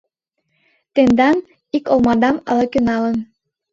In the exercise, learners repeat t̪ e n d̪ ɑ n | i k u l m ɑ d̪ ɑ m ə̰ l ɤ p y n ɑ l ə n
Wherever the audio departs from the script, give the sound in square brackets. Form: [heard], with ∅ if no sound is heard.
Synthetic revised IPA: t̪ e n d̪ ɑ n | i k [o] l m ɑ d̪ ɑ m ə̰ l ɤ [k] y n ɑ l ə n